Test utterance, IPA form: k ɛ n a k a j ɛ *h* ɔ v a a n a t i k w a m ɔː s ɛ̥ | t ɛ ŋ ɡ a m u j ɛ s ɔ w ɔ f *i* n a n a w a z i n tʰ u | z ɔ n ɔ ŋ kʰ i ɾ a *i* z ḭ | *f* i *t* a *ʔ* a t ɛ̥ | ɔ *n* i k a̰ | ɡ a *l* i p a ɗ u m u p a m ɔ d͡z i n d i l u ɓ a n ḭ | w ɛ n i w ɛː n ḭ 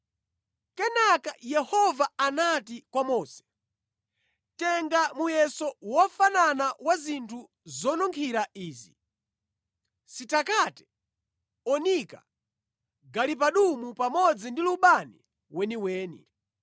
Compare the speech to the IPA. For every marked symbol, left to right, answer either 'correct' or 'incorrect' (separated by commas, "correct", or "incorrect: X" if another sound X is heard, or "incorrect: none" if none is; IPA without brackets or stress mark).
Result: correct, incorrect: a, incorrect: iː, incorrect: s, correct, incorrect: k, correct, correct